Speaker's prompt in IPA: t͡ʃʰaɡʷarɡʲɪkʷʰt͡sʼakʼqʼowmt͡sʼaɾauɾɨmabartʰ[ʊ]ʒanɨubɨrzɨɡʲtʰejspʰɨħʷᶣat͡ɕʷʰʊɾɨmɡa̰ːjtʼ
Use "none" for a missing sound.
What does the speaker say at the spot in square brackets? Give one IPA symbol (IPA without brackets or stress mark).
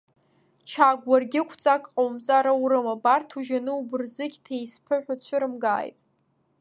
u